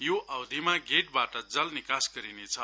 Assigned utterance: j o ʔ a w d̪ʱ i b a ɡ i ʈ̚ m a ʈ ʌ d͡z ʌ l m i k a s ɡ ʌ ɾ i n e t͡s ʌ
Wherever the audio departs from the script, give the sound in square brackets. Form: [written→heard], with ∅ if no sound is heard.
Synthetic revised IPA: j o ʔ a w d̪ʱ i [b→m] a ɡ [i→e] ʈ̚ [m→b] a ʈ ʌ d͡z ʌ l [m→n] i k a s ɡ ʌ ɾ i n e [t͡s→t͡sʰ] ʌ